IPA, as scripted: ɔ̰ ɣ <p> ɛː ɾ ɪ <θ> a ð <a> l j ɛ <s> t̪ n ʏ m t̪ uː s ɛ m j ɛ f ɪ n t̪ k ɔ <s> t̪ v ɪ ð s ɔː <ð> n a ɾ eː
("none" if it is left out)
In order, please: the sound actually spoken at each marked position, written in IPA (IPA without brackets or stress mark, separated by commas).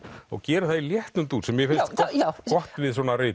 c, θ, i, h, h, none